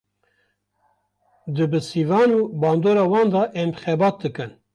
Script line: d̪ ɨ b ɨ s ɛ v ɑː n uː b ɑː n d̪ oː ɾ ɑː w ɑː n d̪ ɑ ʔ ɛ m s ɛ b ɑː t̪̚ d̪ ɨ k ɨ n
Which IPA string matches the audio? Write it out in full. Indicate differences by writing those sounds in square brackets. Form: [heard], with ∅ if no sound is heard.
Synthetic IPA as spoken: d̪ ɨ b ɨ s [i] v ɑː n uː b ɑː n d̪ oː ɾ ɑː w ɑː n d̪ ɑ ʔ ɛ m [x] ɛ b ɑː t̪̚ d̪ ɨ k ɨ n

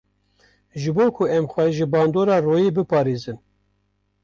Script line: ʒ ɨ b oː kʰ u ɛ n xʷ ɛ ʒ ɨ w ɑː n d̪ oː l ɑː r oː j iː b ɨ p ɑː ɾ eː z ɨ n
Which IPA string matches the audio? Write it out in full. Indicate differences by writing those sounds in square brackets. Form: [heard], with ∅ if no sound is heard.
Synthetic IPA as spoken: ʒ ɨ b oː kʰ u ɛ [m] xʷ ɛ ʒ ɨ [b] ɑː n d̪ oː [ɾ] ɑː r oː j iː b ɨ p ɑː ɾ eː z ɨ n

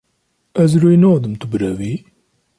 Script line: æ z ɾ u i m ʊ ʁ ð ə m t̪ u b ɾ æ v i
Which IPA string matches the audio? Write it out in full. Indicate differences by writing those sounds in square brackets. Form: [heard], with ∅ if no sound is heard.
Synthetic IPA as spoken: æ z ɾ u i [n] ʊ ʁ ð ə m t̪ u b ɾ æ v i

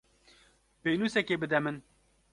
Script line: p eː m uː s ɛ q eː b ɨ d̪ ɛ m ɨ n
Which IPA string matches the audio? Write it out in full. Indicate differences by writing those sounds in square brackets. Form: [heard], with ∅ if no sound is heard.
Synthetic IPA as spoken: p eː [n] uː s ɛ [k] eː b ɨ d̪ ɛ m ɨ n

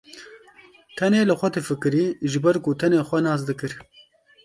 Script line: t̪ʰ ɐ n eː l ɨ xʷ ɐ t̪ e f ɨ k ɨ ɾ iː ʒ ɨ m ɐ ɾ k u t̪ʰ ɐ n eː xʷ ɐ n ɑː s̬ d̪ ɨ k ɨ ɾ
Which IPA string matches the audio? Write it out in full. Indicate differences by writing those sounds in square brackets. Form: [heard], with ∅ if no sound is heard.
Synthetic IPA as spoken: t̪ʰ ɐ n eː l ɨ xʷ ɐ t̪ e f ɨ k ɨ ɾ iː ʒ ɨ [b] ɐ ɾ k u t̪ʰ ɐ n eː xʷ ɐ n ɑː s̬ d̪ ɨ k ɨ ɾ

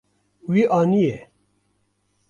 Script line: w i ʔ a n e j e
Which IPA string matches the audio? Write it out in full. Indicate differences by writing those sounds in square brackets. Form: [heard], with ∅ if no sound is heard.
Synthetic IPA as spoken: w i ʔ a n [i] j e

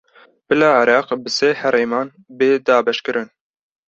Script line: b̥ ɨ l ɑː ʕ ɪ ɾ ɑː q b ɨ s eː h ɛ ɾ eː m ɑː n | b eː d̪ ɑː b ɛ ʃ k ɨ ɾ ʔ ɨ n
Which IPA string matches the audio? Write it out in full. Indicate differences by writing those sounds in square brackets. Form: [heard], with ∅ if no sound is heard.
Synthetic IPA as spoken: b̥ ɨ l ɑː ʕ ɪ ɾ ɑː q b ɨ s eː h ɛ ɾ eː m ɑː n | b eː d̪ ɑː b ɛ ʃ k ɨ ɾ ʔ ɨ n

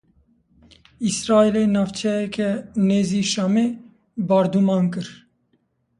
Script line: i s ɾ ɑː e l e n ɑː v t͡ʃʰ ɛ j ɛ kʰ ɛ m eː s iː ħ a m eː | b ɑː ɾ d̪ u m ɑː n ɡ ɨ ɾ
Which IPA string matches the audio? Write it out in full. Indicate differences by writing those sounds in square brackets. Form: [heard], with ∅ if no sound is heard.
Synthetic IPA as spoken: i s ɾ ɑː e l e n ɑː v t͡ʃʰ ɛ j ɛ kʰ ɛ [n] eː [z] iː [ʃ] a m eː | b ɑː ɾ d̪ u m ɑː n [k] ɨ ɾ

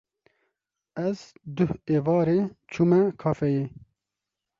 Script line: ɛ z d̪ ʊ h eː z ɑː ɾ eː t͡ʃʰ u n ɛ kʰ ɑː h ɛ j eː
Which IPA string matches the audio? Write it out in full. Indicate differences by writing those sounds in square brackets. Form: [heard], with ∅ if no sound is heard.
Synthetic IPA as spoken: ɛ z d̪ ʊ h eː [v] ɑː ɾ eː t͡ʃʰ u [m] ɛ kʰ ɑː [f] ɛ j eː

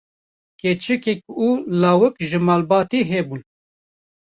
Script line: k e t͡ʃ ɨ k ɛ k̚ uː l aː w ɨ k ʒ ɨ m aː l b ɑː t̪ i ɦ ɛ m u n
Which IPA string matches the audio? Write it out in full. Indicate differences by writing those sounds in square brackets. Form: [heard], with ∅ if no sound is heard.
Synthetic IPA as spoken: k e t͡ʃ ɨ k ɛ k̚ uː l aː w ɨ k ʒ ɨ m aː l b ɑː t̪ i ɦ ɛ [b] u n

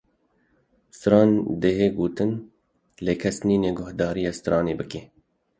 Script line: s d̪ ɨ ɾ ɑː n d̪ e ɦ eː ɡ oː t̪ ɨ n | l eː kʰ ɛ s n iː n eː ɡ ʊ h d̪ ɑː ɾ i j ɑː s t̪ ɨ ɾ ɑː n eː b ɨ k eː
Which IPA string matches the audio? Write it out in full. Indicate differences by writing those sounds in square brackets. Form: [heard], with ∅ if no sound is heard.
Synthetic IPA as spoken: s [t̪] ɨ ɾ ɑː n d̪ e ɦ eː ɡ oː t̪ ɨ n | l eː kʰ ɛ s n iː n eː ɡ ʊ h d̪ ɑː ɾ i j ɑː s t̪ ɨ ɾ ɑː n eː b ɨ k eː

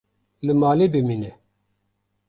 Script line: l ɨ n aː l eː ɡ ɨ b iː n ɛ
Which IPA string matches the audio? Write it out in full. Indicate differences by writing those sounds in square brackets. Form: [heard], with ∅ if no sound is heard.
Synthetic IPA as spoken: l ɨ [m] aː l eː [b] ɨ [m] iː n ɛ

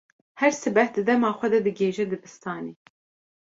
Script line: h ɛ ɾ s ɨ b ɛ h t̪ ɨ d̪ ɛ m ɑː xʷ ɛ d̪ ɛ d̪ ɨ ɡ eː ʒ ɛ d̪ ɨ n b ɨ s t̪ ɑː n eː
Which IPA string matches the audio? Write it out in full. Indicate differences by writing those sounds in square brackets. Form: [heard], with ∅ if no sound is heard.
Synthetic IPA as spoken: h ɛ ɾ s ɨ b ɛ h [d̪] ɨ d̪ ɛ m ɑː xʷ ɛ d̪ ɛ d̪ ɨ ɡ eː ʒ ɛ d̪ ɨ [∅] b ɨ s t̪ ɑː n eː

